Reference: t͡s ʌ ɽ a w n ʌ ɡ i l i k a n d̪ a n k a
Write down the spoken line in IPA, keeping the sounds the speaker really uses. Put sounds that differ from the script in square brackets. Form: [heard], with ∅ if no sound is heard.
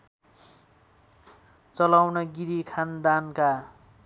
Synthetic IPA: t͡s ʌ [l] a w n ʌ ɡ i [ɾ] i [kʰ] a n d̪ a n k a